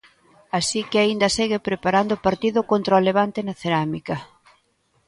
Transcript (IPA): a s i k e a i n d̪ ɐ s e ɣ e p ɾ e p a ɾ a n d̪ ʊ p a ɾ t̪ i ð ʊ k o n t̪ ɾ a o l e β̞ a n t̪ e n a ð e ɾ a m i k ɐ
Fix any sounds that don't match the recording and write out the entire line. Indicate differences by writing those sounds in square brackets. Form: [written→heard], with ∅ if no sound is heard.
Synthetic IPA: a s i k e a i n d̪ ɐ s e ɣ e p ɾ e p a ɾ a n d̪ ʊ p a ɾ t̪ i ð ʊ k o n t̪ ɾ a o l e β̞ a n t̪ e n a [ð→θ] e ɾ a m i k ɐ